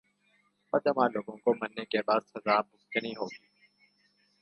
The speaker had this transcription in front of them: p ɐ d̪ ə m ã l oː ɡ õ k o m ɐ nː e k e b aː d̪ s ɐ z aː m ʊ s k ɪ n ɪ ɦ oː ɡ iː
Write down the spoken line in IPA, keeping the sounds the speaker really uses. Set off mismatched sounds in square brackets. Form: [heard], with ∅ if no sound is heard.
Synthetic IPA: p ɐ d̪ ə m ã l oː ɡ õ k o m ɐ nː e k e b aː d̪ s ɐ z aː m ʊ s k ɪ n [i] ɦ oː ɡ iː